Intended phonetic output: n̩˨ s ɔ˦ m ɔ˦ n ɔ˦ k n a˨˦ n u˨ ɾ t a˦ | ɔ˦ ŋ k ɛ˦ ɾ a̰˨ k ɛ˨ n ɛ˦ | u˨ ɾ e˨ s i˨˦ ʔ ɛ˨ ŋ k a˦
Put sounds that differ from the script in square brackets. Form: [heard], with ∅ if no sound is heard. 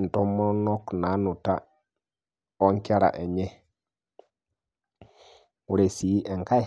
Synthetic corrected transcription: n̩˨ [t] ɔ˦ m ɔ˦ n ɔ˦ k n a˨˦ n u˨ [∅] t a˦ | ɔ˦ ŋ k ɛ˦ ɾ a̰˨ [ʔ] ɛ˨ [ɲ] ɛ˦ | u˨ ɾ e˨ s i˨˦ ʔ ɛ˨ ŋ k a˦